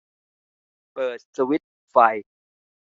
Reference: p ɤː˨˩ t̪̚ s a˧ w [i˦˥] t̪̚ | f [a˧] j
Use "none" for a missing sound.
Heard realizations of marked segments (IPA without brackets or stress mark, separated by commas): i˦˥, a˧